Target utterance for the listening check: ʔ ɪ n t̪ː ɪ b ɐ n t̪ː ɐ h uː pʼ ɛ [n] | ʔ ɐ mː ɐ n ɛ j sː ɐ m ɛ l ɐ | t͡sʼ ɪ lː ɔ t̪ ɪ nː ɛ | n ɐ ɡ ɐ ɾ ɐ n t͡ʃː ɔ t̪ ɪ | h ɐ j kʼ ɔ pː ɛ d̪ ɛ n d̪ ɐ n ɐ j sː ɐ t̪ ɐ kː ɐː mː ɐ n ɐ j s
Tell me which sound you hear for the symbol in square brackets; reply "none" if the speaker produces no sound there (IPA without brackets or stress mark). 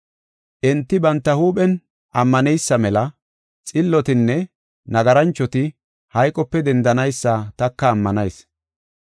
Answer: n